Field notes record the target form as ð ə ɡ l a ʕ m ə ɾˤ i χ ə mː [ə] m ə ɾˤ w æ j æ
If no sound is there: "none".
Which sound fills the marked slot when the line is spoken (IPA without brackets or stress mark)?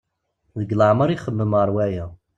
ə